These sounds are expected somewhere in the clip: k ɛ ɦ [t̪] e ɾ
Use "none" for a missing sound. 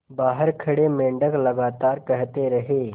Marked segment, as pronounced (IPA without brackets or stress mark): t̪